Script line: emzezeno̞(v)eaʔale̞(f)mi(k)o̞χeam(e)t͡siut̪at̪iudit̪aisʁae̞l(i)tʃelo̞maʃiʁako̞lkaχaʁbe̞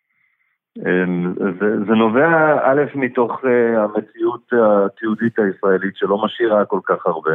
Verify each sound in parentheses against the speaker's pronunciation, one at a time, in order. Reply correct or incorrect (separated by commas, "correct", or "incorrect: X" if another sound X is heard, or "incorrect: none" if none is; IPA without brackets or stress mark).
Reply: correct, correct, incorrect: t, correct, correct